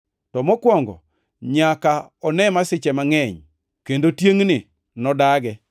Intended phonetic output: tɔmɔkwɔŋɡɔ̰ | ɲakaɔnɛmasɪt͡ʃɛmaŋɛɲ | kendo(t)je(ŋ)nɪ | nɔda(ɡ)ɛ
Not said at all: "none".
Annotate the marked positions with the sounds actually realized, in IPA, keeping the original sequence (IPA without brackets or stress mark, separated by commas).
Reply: t, ŋ, ɡ